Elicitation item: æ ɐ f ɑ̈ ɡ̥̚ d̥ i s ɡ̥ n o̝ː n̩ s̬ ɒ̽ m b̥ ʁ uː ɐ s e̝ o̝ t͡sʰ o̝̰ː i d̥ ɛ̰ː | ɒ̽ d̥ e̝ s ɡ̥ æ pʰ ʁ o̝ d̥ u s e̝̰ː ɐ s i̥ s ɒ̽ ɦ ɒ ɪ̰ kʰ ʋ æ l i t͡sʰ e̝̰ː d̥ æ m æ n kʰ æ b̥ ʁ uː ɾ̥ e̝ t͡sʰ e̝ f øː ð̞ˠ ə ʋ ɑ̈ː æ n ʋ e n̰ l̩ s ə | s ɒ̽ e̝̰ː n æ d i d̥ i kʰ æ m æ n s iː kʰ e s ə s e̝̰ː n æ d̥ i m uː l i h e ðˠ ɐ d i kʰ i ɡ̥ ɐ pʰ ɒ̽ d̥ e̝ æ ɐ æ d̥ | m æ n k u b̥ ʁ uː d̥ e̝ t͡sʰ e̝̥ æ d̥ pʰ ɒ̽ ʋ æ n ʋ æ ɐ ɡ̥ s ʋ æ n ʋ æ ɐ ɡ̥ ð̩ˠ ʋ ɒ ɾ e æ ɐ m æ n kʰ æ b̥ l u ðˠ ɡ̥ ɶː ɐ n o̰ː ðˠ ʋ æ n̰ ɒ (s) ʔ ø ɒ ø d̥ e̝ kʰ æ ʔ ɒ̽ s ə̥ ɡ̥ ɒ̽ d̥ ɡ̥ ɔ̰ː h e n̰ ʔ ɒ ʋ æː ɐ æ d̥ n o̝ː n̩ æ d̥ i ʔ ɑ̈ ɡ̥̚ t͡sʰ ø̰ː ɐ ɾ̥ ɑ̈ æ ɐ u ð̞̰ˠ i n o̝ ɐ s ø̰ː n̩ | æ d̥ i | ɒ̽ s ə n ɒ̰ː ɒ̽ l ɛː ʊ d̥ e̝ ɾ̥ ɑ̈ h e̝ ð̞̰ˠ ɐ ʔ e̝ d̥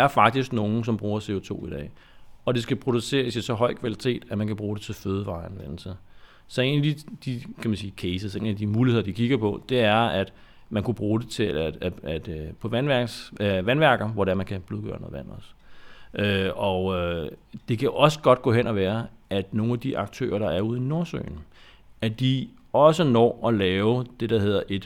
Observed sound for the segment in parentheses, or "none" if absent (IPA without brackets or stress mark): s